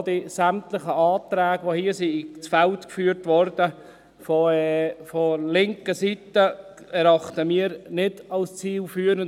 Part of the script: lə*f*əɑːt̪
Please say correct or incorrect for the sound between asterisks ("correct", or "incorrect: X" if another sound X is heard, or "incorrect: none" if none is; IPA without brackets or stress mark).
incorrect: χ